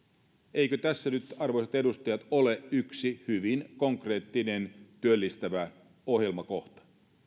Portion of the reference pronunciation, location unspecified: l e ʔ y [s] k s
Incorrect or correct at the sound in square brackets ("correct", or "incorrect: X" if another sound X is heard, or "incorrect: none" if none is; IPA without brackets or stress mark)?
incorrect: none